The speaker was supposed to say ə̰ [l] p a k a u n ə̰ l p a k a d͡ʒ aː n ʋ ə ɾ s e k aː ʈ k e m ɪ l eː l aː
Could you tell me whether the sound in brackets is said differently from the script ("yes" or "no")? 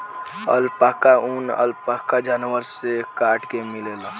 no